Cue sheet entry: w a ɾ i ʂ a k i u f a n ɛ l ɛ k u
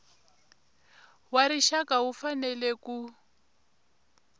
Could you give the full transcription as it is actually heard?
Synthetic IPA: w a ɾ i ʃ a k a u f a n ɛ l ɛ k u